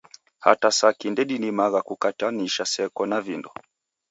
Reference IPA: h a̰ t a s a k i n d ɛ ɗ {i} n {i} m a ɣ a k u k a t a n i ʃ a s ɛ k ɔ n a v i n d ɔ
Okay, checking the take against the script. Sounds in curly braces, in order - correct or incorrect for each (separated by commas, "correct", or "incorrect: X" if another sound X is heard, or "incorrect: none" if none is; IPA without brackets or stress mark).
correct, correct